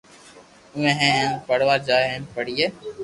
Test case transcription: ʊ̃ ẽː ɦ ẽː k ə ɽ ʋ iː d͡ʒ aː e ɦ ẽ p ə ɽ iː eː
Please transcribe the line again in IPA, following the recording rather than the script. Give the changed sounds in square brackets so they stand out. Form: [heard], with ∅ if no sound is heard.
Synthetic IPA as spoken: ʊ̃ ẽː ɦ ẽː [p] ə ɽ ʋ [aː] d͡ʒ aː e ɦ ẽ p ə ɽ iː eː